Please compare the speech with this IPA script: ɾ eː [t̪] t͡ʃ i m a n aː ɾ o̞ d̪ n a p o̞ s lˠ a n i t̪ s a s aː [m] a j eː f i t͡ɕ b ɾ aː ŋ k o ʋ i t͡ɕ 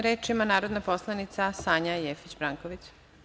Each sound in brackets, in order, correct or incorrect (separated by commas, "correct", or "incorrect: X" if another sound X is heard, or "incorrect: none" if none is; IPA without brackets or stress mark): incorrect: none, incorrect: ɲ